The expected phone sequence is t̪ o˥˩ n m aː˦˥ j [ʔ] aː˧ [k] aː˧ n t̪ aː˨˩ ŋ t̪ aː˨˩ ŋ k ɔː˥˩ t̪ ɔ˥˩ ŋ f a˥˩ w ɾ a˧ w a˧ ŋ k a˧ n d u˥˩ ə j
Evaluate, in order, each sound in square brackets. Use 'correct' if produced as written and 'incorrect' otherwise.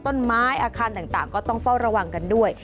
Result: correct, incorrect: kʰ

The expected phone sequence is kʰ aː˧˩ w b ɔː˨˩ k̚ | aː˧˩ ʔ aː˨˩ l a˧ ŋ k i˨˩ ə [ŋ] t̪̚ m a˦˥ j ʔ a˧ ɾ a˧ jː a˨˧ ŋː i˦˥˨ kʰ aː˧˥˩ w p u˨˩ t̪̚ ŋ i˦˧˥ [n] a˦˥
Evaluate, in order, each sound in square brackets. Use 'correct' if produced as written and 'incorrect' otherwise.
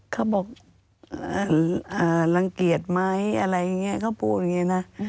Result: incorrect: none, correct

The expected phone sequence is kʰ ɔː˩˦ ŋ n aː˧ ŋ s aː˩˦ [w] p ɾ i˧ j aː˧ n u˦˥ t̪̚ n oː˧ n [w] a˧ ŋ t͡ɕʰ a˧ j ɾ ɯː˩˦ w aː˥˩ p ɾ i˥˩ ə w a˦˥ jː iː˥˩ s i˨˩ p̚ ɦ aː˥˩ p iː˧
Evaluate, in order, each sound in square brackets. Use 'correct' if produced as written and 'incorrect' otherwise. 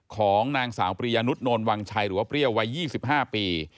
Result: correct, correct

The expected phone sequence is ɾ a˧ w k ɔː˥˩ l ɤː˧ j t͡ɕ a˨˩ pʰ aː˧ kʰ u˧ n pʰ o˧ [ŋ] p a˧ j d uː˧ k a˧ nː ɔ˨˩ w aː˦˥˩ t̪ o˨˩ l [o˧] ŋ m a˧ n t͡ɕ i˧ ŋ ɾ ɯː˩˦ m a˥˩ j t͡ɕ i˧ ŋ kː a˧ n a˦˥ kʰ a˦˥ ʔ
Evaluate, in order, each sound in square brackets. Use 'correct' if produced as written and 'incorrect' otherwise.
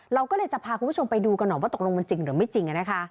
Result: incorrect: m, correct

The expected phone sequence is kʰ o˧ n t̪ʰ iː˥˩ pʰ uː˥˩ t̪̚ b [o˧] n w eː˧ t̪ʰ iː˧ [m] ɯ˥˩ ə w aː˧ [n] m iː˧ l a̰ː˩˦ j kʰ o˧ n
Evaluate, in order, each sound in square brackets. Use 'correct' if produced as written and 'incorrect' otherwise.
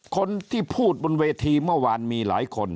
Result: correct, correct, correct

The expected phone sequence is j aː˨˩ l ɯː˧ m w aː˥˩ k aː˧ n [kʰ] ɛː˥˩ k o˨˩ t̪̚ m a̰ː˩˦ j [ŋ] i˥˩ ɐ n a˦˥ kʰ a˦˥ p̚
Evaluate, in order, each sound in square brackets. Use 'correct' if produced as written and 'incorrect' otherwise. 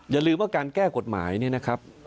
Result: incorrect: k, incorrect: n

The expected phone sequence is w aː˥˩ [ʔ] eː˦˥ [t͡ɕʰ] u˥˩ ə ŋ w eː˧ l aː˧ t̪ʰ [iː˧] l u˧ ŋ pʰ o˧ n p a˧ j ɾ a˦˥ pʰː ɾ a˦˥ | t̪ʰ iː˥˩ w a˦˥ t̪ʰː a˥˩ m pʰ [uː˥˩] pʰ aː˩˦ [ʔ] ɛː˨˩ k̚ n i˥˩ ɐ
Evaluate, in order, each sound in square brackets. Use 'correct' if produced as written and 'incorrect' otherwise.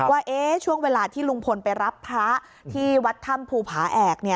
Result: correct, correct, incorrect: iː˥˩, incorrect: uː˧, correct

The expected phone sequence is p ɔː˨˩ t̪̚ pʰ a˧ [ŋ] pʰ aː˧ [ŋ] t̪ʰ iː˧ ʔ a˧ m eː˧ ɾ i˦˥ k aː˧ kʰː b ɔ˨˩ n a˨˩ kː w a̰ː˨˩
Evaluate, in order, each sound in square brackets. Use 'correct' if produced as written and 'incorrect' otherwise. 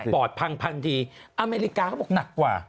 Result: correct, incorrect: n

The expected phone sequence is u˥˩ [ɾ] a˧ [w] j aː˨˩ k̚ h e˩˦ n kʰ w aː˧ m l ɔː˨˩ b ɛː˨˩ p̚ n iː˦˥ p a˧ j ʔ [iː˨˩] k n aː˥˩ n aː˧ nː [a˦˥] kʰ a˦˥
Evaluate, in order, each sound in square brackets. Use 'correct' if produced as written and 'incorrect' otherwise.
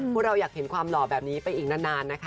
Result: correct, correct, correct, correct

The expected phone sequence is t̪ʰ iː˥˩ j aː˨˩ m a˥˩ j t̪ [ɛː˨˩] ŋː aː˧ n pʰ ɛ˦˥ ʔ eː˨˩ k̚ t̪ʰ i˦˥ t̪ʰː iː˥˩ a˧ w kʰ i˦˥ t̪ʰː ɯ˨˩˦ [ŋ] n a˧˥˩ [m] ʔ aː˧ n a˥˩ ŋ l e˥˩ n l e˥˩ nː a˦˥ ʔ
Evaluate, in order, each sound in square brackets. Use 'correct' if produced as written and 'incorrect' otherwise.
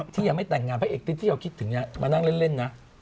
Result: incorrect: ɛ˨˩, correct, correct

